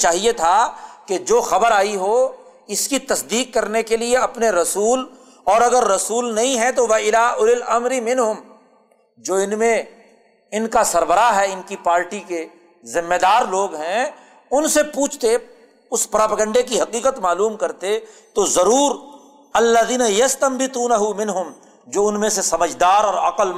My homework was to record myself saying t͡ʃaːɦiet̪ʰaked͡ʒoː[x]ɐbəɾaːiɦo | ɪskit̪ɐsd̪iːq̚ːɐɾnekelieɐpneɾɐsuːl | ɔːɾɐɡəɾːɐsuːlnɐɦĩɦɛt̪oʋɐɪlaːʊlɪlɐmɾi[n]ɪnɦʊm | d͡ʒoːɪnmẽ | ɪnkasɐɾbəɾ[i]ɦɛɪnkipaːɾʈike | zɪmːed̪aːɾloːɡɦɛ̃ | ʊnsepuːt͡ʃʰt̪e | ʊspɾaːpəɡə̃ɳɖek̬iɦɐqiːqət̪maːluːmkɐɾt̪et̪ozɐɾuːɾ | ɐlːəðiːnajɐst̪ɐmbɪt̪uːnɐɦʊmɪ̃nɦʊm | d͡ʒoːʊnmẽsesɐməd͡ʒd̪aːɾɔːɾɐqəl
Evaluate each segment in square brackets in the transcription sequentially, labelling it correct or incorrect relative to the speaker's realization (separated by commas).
correct, incorrect, incorrect